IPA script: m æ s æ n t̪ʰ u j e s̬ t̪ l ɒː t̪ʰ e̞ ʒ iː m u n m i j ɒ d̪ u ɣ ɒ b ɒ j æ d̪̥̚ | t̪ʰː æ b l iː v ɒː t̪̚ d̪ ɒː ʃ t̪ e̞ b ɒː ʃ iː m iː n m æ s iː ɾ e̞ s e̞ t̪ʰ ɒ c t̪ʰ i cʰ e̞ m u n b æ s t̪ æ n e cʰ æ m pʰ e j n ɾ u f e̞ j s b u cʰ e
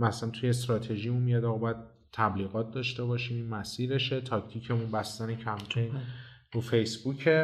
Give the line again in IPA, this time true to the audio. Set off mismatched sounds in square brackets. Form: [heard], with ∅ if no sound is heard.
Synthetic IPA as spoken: m æ s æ n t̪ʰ u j e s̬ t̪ [ɾ] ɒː t̪ʰ e̞ ʒ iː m u n m i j ɒ d̪ [ɒ] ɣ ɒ b ɒ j æ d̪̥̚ | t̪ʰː æ b l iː [ɣ] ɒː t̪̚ d̪ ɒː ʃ t̪ e̞ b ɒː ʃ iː m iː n m æ s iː ɾ e̞ [ʃ] e̞ t̪ʰ ɒ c t̪ʰ i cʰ e̞ m u n b æ s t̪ æ n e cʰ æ m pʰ e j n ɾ u f e̞ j s b u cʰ e